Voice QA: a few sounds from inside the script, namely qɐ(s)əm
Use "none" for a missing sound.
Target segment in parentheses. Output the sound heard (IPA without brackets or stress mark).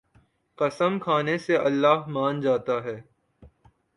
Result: s